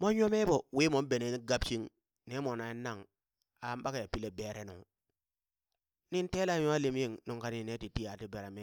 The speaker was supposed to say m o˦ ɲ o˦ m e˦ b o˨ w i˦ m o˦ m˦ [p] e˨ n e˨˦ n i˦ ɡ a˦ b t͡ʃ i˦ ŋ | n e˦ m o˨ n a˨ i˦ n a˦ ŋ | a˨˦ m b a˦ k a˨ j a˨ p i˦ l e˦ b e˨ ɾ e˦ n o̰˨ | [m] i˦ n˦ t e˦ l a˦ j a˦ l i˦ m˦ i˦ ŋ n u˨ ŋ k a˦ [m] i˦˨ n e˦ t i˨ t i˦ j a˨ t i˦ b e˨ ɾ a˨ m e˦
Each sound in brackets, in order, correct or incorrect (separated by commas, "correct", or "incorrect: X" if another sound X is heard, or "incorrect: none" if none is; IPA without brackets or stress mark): incorrect: b, incorrect: n, incorrect: n